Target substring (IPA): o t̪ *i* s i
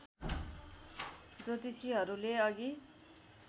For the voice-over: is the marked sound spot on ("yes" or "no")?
yes